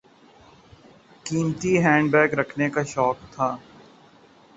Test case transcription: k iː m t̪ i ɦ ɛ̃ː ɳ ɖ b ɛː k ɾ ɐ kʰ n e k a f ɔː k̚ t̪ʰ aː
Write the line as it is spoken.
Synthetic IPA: k iː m t̪ i ɦ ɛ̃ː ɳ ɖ b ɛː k ɾ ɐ kʰ n e k a ʃ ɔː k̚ t̪ʰ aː